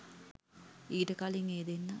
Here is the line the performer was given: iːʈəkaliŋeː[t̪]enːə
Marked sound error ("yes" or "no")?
yes